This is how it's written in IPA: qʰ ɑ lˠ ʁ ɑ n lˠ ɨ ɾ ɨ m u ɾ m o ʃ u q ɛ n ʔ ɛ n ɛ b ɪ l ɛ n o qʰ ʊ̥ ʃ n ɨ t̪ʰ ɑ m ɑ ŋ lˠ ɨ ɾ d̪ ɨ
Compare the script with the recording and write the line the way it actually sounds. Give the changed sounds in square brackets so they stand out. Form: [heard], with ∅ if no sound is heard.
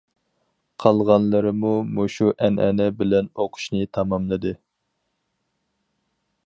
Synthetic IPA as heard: qʰ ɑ lˠ ʁ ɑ n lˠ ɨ ɾ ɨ m u [∅] m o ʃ u [ʔ] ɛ n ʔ ɛ n ɛ b ɪ l ɛ n o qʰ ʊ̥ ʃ n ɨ t̪ʰ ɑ m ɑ [m] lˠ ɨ [∅] d̪ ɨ